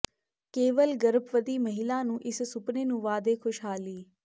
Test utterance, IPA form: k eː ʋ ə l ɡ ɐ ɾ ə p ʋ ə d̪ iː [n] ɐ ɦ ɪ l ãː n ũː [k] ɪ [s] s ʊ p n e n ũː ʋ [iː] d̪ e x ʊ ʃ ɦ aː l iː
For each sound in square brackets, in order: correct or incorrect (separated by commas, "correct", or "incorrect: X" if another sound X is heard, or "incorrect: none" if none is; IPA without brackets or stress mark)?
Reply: incorrect: m, incorrect: ʔ, correct, incorrect: aː